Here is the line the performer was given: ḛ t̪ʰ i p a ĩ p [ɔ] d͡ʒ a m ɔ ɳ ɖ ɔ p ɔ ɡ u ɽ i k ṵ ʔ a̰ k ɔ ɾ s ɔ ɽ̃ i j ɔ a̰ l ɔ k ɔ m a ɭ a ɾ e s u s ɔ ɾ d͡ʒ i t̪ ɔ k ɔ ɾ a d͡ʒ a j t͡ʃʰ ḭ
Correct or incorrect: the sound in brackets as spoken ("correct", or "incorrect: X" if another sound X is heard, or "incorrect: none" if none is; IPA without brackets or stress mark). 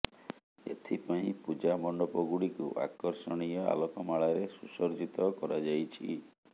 incorrect: u